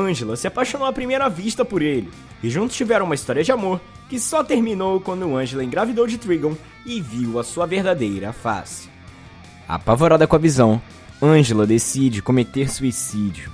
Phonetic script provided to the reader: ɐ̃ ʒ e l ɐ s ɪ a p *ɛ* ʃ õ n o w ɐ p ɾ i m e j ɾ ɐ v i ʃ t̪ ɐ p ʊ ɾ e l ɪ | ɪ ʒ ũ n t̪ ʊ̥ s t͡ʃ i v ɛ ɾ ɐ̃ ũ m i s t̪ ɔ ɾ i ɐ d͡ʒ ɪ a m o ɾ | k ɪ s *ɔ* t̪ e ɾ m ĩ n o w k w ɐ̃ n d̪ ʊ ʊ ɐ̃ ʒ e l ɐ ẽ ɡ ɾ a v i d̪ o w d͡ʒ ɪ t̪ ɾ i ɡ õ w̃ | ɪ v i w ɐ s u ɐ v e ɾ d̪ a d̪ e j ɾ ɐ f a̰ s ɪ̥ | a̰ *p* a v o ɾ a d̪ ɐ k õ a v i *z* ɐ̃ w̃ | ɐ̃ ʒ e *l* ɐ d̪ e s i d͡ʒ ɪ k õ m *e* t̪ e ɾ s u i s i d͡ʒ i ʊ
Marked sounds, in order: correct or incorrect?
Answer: incorrect, correct, correct, correct, correct, correct

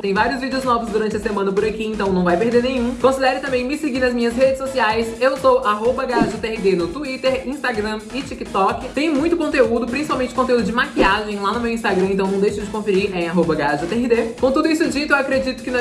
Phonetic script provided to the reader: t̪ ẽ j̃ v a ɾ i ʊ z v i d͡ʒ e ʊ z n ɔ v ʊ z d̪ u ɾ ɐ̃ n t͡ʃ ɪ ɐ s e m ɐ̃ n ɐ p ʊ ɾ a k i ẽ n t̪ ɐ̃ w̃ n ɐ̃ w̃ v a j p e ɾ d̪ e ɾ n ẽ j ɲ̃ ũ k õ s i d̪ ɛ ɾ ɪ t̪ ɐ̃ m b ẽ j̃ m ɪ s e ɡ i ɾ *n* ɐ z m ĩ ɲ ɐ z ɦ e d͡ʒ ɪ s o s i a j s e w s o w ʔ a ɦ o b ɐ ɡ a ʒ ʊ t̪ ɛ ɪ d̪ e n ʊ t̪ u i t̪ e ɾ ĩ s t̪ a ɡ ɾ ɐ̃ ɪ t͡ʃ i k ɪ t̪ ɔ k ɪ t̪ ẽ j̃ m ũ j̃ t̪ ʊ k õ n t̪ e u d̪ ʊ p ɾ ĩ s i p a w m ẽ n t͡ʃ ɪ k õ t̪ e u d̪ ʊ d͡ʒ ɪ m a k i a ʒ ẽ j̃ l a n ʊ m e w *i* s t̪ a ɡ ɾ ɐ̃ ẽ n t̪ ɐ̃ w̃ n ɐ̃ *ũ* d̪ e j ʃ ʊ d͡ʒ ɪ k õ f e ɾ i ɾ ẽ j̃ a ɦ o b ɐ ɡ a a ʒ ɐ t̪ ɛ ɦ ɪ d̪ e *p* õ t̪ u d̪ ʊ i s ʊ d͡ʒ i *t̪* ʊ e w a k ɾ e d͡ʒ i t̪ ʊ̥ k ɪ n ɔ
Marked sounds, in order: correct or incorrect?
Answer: correct, incorrect, incorrect, incorrect, correct

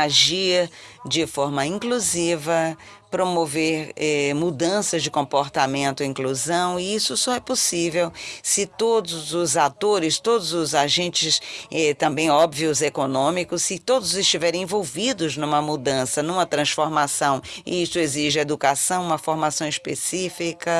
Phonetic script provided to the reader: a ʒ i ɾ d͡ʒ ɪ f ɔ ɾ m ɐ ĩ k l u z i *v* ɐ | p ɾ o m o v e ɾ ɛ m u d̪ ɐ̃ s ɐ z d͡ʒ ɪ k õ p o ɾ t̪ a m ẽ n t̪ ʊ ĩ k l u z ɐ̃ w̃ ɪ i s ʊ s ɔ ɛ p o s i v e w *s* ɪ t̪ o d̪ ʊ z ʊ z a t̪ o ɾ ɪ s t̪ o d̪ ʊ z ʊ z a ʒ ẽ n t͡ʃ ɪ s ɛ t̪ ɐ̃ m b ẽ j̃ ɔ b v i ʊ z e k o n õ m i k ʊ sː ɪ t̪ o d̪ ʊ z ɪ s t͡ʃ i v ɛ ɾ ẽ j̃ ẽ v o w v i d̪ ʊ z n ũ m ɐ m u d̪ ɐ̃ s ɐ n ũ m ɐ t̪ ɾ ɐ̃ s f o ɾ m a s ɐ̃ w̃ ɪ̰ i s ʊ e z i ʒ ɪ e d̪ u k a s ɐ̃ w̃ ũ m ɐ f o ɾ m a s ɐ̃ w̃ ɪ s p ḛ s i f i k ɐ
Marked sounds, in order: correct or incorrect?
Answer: correct, correct

